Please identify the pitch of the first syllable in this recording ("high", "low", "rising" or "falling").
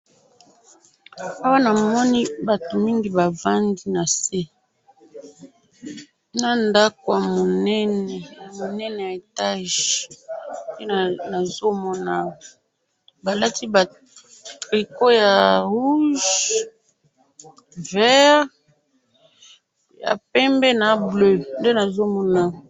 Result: high